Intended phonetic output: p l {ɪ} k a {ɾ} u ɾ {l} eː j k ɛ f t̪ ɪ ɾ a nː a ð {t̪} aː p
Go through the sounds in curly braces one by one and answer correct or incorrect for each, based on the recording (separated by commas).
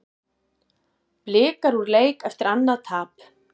incorrect, correct, correct, incorrect